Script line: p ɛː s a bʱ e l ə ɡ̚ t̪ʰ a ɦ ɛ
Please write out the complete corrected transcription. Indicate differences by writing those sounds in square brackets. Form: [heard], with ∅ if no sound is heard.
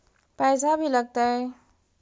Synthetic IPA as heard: p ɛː s a bʱ [i] l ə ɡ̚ [t̪] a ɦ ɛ